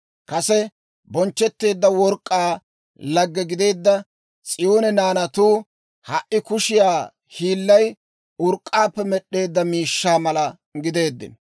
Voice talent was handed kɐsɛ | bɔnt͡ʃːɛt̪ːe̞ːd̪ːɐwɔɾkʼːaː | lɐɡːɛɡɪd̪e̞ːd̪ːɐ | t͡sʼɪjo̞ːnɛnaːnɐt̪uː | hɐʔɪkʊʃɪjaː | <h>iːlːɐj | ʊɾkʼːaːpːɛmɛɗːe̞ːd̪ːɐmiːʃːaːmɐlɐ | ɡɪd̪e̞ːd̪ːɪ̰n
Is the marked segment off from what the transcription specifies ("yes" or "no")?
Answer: no